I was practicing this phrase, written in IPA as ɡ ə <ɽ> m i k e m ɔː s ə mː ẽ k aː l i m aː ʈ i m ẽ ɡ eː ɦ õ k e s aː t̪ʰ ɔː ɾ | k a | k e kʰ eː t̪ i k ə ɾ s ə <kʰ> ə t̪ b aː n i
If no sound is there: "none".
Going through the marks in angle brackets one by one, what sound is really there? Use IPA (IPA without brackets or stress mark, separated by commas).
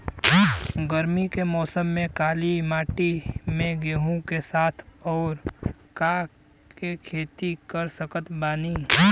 ɾ, k